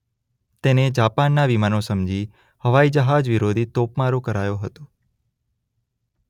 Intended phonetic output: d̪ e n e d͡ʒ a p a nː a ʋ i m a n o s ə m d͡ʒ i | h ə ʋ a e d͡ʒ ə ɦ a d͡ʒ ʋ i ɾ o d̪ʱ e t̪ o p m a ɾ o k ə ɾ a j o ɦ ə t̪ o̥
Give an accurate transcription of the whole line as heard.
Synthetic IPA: t̪ e n e d͡ʒ a p a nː a ʋ i m a n o s ə m d͡ʒ i | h ə ʋ a i d͡ʒ ə ɦ a d͡ʒ ʋ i ɾ o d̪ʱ i t̪ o p m a ɾ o k ə ɾ a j o ɦ ə t̪ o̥